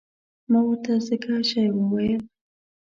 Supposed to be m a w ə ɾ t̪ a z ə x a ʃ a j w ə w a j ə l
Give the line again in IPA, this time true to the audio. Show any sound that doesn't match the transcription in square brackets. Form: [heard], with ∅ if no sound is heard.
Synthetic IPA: m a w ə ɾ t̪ a z ə [k] a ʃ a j w ə w a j ə l